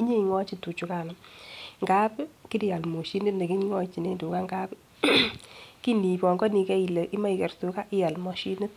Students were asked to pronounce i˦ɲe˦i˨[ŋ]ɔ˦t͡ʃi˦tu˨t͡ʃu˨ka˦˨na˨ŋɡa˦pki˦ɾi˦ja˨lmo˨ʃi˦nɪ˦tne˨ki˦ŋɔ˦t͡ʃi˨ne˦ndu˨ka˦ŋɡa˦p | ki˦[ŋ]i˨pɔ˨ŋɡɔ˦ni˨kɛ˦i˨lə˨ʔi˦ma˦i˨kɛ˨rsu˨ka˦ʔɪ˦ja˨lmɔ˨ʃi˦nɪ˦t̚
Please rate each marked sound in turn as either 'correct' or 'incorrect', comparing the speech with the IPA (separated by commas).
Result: correct, incorrect